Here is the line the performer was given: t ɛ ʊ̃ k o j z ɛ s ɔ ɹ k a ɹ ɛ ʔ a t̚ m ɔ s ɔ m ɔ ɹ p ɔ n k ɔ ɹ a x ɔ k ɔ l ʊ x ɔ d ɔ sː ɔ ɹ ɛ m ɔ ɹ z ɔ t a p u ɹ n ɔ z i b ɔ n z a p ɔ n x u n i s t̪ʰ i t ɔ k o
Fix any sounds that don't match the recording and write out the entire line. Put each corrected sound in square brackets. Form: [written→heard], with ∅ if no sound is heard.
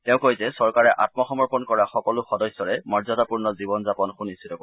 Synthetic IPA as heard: t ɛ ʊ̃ k o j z ɛ s ɔ ɹ k a ɹ ɛ ʔ a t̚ m ɔ [s→x] ɔ m ɔ ɹ p ɔ n k ɔ ɹ a x ɔ k ɔ l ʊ x ɔ d ɔ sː ɔ ɹ ɛ m ɔ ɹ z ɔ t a p u ɹ n ɔ z i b ɔ n z a p ɔ n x u n i s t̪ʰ i t ɔ k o